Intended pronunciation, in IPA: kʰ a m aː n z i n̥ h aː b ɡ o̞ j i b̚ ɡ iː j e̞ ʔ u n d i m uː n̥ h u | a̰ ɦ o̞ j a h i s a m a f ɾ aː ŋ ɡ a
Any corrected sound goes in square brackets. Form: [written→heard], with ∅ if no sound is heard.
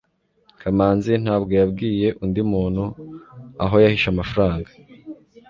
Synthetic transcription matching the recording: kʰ a m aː n z i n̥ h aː b ɡ o̞ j [i→a] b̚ ɡ iː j e̞ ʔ u n d i m uː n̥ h u | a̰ ɦ o̞ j a h i [s→ʃ] a m a f ɾ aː ŋ ɡ a